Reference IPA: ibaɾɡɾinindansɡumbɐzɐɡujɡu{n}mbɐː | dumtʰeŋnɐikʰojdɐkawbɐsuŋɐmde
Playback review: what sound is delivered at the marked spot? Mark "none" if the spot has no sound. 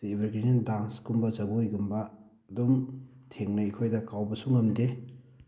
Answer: none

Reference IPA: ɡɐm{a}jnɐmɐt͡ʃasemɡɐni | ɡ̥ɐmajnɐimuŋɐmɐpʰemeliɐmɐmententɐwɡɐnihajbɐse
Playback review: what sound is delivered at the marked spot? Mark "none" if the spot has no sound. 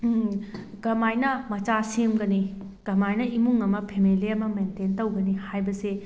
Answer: a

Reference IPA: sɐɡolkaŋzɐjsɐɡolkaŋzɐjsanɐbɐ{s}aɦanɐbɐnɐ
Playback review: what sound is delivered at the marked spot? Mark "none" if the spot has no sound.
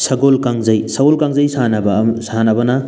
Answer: s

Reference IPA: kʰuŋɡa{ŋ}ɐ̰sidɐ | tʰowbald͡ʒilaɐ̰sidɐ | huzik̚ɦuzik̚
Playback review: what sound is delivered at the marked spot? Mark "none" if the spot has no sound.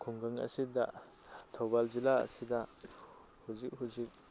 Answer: ŋ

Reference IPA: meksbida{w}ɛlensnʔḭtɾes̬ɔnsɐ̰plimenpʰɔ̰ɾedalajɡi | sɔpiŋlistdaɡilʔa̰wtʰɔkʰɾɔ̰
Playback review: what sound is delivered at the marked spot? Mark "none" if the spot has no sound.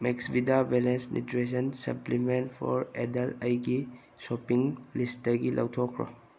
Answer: b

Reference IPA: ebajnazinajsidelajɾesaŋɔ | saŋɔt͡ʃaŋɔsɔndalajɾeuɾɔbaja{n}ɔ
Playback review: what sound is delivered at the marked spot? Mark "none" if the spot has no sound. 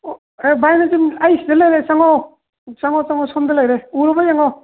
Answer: ŋ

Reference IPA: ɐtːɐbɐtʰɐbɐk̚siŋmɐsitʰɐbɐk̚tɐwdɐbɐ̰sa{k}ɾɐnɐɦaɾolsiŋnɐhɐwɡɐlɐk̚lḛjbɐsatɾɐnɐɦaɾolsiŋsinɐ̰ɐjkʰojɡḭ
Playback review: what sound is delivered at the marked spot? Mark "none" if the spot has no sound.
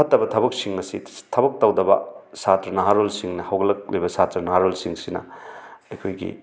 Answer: t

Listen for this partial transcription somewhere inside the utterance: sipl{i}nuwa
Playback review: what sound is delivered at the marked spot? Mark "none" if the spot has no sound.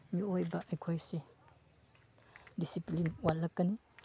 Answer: i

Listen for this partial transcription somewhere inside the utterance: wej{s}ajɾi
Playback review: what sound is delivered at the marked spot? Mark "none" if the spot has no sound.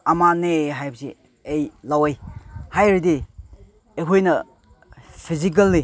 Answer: h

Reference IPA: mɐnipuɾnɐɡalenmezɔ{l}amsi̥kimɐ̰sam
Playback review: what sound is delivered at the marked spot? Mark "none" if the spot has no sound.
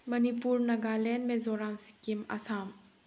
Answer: ɾ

